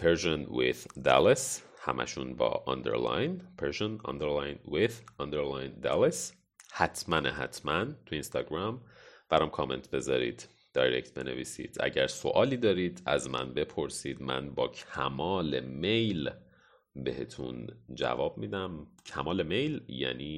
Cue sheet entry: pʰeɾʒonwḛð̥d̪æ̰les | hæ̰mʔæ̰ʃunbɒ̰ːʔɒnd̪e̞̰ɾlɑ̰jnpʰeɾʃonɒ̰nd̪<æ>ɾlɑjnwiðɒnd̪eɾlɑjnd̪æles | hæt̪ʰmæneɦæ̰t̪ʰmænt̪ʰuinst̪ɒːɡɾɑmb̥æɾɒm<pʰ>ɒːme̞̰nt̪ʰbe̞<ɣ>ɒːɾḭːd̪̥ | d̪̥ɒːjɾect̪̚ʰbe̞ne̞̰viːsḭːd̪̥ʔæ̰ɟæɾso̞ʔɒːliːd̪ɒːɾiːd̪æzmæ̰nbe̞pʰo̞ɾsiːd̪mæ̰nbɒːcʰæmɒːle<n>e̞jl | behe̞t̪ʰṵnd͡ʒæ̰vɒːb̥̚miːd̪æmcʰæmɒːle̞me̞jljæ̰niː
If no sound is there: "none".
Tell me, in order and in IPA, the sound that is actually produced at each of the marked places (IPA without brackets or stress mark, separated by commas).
e, kʰ, z, m